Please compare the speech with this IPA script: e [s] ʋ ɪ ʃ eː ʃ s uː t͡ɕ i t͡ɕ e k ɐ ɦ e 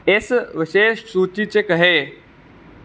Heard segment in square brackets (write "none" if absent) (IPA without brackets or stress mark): s